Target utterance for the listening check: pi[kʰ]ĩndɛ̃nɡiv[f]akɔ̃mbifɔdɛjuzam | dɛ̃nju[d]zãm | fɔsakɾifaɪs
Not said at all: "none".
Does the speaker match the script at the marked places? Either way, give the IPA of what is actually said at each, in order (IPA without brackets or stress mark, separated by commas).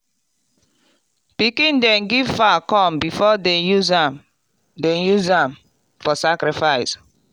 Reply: k, f, none